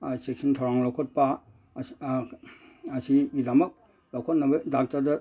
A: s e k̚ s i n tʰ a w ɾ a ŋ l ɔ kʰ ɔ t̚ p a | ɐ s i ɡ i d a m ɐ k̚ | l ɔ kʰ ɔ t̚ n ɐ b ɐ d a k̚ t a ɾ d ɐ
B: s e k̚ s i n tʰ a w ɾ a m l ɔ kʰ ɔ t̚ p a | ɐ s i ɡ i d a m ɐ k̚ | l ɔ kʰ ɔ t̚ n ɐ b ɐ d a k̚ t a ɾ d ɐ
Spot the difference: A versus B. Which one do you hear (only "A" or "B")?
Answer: A